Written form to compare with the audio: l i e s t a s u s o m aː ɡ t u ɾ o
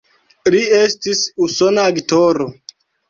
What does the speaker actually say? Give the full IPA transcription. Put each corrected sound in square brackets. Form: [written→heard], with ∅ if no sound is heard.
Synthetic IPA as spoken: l i e s t [a→i] s u s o [m→n] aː ɡ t [u→o] ɾ o